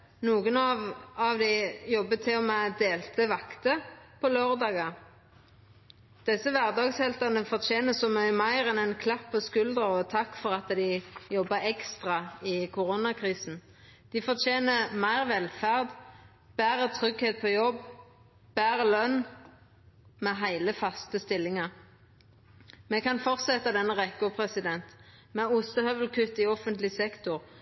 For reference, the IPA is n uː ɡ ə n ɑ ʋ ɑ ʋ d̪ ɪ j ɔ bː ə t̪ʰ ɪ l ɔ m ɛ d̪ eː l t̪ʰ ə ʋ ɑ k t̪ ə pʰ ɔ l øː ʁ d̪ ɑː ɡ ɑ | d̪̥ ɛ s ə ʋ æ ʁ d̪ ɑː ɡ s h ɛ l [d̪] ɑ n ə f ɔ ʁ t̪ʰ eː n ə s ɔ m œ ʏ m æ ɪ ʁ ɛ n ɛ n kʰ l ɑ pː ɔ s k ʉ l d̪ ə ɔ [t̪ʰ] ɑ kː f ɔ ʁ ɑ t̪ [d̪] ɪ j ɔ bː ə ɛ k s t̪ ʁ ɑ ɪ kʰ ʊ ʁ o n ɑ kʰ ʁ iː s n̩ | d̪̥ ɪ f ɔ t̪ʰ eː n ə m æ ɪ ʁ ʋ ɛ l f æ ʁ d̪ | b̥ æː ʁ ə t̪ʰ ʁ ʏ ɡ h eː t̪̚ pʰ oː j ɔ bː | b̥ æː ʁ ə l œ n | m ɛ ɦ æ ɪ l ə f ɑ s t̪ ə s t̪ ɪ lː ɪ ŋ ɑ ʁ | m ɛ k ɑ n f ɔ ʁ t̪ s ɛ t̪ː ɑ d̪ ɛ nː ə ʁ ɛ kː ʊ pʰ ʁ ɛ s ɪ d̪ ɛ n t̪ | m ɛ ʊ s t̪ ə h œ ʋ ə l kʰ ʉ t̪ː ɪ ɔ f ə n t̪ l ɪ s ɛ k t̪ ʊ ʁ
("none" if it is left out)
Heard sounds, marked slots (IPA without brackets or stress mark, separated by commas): t̪, t̪ʰ, d̪